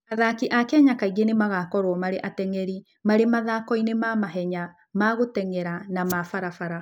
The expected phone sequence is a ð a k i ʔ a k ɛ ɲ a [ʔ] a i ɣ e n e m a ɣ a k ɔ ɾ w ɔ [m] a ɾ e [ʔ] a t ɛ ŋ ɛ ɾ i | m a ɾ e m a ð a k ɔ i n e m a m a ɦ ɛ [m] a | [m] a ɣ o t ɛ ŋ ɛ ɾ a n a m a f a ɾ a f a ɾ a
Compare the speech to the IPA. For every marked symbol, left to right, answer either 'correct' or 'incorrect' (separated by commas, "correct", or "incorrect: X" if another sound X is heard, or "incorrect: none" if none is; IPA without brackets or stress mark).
incorrect: k, correct, correct, incorrect: ɲ, correct